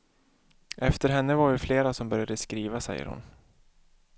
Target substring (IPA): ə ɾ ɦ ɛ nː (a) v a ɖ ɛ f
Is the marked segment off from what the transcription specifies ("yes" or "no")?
yes